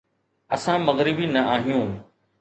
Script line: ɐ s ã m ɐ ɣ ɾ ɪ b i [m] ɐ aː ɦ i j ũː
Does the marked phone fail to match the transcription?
yes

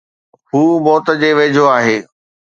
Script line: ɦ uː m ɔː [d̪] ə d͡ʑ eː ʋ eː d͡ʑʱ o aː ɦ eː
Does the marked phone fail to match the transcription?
yes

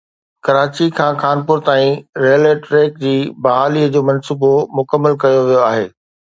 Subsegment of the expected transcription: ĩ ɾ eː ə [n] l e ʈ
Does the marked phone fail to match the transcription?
yes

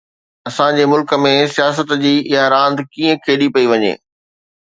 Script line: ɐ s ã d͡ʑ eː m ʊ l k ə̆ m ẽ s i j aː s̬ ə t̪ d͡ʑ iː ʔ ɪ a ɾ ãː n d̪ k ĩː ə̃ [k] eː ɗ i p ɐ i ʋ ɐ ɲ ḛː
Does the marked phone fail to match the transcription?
yes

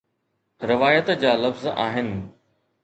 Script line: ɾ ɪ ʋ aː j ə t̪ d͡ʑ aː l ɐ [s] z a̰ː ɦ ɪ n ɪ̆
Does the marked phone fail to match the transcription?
yes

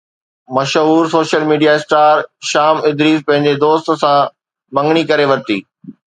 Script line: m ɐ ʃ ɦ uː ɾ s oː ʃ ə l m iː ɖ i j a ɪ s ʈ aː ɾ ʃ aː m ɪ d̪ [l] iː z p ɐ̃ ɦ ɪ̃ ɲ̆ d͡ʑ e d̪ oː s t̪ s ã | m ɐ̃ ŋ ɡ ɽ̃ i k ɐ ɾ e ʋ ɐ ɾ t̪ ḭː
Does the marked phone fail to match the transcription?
yes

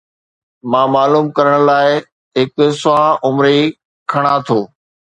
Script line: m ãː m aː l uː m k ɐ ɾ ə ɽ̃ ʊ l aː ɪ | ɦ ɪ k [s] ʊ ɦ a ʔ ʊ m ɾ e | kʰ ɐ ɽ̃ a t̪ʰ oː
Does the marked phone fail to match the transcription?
no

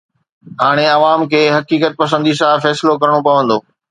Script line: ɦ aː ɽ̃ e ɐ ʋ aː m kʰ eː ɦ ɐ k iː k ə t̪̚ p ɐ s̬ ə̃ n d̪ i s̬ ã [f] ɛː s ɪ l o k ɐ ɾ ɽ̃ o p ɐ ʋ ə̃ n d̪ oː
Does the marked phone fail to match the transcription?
no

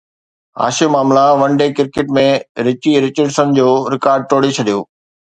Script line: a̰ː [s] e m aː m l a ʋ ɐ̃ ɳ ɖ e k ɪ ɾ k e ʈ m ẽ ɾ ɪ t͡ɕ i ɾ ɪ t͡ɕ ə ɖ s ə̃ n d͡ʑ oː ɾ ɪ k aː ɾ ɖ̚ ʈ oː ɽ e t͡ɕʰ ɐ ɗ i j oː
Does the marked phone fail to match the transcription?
yes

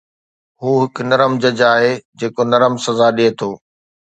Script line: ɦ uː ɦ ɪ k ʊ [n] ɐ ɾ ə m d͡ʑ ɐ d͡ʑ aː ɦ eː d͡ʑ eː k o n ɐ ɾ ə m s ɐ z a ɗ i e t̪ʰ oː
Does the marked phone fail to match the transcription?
no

